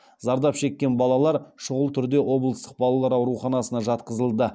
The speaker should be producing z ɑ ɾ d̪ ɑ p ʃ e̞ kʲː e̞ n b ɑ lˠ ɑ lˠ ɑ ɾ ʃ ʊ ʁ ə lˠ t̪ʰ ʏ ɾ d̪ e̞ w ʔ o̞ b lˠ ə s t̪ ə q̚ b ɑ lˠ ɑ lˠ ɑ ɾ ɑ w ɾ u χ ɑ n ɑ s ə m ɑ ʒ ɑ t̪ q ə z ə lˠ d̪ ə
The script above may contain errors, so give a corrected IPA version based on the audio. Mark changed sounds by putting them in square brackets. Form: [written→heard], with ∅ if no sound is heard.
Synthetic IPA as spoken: z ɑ ɾ d̪ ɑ p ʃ e̞ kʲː e̞ n b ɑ lˠ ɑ lˠ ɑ ɾ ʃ ʊ ʁ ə lˠ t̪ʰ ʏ ɾ d̪ e̞ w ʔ o̞ b lˠ ə s t̪ ə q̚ b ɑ lˠ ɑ lˠ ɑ ɾ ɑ w ɾ u χ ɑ n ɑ s ə [m→n] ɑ ʒ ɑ t̪ q ə z ə lˠ d̪ ə